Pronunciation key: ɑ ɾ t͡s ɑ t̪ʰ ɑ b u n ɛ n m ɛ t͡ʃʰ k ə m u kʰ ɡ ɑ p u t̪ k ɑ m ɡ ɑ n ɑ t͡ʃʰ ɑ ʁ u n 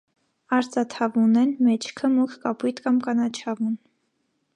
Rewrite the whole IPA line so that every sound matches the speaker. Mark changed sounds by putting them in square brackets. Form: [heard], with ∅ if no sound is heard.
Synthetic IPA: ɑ ɾ t͡s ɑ t̪ʰ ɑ [v] u n ɛ n m ɛ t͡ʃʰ [kʰ] ə m u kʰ [k] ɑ p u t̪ k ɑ m [k] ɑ n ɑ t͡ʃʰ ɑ [v] u n